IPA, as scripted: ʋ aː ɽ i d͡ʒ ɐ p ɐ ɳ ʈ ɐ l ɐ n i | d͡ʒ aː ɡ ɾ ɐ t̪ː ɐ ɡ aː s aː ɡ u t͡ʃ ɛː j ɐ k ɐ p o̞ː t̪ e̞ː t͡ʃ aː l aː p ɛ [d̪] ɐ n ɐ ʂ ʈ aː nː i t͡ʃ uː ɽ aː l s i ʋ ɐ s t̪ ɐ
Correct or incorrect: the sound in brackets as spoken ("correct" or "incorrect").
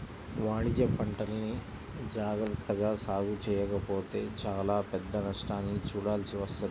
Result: incorrect